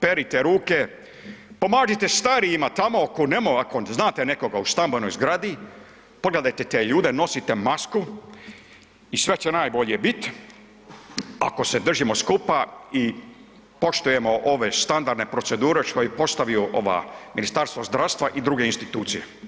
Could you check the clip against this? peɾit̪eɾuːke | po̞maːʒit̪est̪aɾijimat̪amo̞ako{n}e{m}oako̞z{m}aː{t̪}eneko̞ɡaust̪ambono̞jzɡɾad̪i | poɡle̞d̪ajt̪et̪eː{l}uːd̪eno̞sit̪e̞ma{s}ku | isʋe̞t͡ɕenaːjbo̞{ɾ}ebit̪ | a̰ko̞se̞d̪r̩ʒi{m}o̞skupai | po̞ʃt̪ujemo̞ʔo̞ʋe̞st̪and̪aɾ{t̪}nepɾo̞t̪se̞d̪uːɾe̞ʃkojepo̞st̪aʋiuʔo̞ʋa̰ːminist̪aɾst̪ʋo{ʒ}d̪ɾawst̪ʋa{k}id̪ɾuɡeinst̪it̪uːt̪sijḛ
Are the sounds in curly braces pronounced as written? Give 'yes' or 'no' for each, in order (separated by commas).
yes, yes, no, yes, no, yes, no, yes, no, no, no